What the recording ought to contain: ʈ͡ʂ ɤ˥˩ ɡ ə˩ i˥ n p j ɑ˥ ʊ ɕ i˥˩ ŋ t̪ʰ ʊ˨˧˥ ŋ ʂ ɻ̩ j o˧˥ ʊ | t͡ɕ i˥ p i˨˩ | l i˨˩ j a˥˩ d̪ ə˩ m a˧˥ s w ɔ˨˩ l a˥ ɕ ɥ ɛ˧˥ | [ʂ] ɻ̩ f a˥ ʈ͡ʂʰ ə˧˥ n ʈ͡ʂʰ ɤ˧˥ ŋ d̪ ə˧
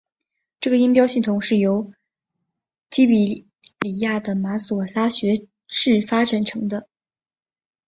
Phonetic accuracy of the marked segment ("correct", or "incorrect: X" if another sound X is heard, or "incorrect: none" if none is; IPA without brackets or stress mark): correct